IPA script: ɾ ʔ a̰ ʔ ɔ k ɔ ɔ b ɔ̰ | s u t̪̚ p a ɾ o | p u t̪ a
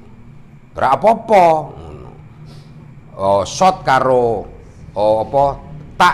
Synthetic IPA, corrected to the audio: ɾ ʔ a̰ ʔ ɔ p ɔ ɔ p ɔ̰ | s ɔ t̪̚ k a ɾ o | p ɔ t̪ a